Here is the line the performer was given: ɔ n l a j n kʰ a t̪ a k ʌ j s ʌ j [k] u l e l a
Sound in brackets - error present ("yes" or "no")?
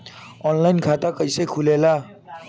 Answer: yes